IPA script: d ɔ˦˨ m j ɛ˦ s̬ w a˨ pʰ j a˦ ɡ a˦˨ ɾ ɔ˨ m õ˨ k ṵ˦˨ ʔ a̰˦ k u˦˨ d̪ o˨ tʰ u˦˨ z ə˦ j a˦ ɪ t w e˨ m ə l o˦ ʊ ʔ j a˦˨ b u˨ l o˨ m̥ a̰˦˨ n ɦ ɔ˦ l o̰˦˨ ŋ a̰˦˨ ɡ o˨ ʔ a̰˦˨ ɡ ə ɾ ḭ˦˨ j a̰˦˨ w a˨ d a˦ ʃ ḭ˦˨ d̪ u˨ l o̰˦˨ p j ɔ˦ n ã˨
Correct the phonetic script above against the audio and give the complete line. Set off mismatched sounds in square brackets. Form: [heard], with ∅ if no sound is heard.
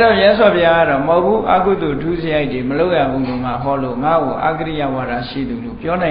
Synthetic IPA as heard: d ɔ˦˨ m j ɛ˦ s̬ w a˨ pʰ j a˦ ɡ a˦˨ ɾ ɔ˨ m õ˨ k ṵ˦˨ ʔ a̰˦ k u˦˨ d̪ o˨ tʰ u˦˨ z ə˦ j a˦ ɪ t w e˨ m ə l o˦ ʊ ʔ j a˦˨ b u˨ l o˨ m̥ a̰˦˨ [∅] ɦ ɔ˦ l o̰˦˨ ŋ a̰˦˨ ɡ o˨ ʔ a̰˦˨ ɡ ə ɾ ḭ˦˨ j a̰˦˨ w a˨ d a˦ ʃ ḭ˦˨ d̪ u˨ l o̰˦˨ p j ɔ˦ n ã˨